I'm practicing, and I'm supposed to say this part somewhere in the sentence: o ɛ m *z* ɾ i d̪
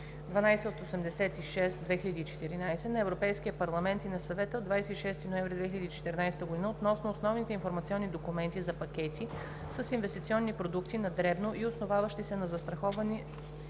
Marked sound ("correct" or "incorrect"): incorrect